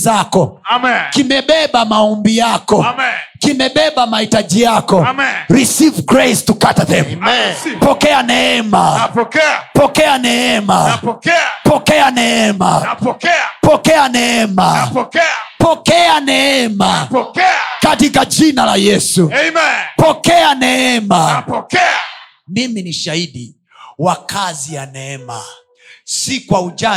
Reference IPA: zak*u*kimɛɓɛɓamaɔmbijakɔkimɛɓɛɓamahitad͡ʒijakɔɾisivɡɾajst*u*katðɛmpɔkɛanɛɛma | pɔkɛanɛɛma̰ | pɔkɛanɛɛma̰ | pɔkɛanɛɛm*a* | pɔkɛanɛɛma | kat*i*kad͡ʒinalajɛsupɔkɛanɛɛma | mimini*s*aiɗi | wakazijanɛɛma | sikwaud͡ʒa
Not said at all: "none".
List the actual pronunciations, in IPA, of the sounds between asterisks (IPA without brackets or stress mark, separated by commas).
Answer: ɔ, u, a, i, ʃ